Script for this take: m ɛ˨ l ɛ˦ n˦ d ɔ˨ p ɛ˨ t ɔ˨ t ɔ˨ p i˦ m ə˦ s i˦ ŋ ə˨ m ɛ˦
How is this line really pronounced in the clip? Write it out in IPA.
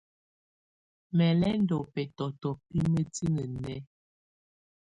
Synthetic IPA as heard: m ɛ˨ l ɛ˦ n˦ d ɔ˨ p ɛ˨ t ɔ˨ t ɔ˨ p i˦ m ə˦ t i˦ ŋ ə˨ n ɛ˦